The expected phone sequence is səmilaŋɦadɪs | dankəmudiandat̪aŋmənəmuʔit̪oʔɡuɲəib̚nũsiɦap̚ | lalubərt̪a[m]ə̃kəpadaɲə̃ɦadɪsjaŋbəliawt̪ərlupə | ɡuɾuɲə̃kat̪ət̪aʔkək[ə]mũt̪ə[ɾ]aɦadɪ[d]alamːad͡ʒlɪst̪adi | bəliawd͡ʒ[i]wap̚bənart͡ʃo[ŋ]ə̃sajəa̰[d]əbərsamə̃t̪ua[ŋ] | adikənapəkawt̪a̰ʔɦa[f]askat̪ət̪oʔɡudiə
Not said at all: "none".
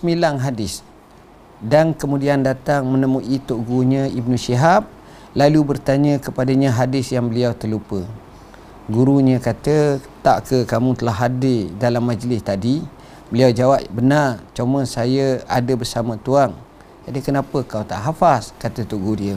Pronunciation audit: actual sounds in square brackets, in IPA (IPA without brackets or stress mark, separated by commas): ɲ, a, l, d, a, m, d, ŋ, f